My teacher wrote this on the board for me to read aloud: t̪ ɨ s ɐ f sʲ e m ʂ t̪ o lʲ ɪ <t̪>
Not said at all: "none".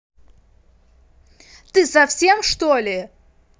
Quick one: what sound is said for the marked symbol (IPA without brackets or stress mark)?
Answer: none